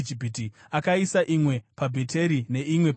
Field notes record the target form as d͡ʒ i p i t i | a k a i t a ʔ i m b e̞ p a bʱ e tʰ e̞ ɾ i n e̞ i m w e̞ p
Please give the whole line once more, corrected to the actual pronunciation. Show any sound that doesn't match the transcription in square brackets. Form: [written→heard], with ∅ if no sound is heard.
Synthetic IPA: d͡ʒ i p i t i | a k a i [t→s] a ʔ i m [b→w] e̞ p a bʱ e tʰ e̞ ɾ i n e̞ i m w e̞ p